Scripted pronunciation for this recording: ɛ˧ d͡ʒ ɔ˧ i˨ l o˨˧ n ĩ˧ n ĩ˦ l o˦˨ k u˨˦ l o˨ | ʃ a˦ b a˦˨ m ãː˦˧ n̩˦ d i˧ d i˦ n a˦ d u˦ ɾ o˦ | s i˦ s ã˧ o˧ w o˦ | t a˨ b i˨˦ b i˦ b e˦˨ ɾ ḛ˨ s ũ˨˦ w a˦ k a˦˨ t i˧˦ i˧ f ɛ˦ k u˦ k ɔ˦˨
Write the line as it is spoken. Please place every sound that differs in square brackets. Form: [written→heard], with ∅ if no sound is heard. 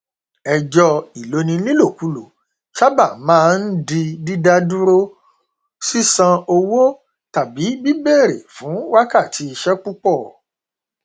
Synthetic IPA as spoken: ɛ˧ d͡ʒ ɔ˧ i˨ l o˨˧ n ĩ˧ n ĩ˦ l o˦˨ k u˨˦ l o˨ | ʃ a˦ b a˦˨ m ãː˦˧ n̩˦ d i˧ d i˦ [n→d] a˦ d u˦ ɾ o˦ | s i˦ s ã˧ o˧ w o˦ | t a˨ b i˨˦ b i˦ b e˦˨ ɾ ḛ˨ [s→f] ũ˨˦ w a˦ k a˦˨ t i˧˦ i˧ [f→ʃ] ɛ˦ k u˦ [k→k͡p] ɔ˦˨

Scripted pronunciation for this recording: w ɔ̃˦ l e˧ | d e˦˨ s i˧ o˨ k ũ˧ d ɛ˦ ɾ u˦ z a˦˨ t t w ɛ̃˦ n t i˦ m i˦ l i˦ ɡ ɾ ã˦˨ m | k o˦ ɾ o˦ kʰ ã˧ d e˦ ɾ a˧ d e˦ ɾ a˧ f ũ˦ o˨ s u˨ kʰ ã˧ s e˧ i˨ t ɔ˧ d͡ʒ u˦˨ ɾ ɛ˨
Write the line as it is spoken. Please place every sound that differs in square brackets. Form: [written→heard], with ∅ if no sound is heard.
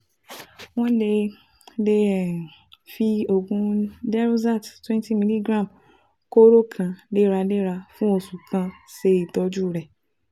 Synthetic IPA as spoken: w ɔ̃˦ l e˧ | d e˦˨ [s→f] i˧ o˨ [k→ɡ] ũ˧ d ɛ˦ ɾ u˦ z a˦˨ t t w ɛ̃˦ n t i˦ m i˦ l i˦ ɡ ɾ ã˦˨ m | k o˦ ɾ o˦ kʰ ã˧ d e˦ ɾ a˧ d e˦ ɾ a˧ f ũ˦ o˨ s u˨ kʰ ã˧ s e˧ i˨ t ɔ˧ d͡ʒ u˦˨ ɾ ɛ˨

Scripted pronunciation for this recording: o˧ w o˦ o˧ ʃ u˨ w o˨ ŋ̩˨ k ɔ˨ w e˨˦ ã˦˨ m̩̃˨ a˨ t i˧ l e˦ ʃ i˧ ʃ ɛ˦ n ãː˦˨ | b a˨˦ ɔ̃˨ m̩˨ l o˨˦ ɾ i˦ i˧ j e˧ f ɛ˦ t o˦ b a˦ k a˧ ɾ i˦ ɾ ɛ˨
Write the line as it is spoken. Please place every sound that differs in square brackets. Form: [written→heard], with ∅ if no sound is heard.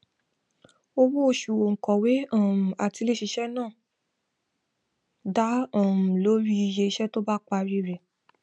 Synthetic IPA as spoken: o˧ w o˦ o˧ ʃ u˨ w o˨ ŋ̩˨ k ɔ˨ w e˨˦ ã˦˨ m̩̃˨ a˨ t i˧ l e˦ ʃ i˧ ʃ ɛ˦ n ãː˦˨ | [b→d] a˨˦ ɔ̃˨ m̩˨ l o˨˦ ɾ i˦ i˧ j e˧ [f→ʃ] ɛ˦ t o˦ b a˦ [k→k͡p] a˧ ɾ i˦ ɾ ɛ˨

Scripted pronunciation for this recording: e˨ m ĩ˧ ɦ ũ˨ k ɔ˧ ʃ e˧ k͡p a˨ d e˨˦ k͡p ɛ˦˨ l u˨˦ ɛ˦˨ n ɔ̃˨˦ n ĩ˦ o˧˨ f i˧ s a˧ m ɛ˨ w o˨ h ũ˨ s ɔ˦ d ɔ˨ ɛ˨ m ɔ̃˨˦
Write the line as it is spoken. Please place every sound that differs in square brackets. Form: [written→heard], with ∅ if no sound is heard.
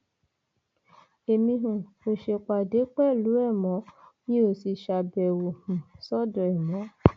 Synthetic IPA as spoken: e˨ m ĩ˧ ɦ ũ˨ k [ɔ˧→o˧] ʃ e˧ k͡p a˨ d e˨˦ k͡p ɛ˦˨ l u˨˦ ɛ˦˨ [n→m] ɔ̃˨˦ n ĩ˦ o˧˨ [f→s] i˧ [s→ʃ] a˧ [m→b] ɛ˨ w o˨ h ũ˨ s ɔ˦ d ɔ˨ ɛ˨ m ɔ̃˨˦

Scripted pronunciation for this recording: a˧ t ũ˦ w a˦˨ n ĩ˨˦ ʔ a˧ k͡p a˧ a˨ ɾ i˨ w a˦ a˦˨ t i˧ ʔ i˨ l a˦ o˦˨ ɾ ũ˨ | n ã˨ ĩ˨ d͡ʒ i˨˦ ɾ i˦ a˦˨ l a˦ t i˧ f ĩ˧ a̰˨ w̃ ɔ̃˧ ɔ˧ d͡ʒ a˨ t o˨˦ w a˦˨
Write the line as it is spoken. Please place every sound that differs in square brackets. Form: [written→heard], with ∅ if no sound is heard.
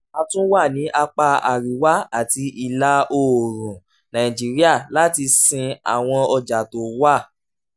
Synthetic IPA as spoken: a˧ t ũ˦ w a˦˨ n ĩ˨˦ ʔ a˧ k͡p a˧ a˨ ɾ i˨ w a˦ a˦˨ t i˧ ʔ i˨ l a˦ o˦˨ ɾ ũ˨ | n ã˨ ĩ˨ d͡ʒ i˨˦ ɾ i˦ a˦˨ l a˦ t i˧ [f→s] ĩ˧ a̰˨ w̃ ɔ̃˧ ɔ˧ d͡ʒ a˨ t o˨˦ w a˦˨

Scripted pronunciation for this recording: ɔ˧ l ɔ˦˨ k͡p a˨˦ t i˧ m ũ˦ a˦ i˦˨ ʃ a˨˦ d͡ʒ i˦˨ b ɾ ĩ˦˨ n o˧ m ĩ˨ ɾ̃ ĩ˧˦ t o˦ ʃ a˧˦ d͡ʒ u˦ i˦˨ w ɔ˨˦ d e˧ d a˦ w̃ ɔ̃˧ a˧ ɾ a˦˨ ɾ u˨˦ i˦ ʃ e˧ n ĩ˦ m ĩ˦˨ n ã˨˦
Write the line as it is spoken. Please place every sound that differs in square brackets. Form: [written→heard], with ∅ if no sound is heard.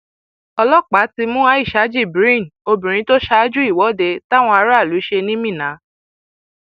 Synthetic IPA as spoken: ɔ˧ l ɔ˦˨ k͡p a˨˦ t i˧ m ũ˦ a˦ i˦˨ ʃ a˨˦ d͡ʒ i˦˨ b ɾ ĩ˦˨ n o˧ [m→b] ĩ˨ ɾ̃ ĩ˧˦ t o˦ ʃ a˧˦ d͡ʒ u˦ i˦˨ w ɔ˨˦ d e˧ [d→t] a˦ w̃ ɔ̃˧ a˧ ɾ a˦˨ [ɾ→l] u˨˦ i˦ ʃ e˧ n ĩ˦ m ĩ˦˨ n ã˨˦

